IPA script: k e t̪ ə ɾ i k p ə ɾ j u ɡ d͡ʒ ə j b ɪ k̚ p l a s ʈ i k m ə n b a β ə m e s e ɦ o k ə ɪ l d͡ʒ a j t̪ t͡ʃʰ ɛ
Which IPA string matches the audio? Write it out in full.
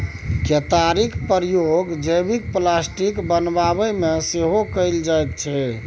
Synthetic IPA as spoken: k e t̪ a ɾ i k p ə ɾ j o ɡ d͡ʒ ə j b i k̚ p l a s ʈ i k b ə n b a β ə m e s e ɦ o k ə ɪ l d͡ʒ a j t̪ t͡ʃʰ ɛ